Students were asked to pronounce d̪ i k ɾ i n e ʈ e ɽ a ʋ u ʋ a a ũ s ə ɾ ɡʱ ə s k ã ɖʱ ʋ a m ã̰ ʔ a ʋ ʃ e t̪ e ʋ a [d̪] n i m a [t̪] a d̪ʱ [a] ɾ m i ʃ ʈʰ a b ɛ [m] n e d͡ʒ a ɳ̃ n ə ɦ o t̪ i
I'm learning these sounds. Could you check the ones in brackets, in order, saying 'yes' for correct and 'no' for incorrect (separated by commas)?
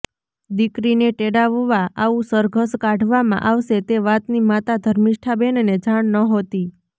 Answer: no, yes, no, no